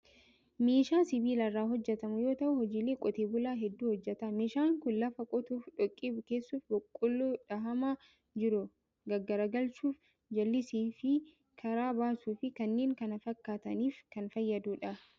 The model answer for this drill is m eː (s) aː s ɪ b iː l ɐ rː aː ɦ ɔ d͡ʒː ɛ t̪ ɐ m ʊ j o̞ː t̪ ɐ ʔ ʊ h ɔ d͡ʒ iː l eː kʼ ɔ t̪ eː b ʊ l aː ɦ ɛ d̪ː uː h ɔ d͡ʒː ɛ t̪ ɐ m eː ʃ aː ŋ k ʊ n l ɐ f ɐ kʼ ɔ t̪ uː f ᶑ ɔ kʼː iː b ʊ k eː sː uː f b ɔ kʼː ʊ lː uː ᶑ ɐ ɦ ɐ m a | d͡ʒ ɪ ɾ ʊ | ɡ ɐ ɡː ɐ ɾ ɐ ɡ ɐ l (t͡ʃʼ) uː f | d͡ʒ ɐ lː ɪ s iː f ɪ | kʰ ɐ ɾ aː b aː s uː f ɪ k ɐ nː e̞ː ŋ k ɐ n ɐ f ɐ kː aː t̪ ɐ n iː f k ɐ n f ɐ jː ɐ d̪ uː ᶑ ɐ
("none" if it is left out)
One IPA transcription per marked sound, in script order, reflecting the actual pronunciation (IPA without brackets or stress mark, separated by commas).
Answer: ʃ, t͡ʃ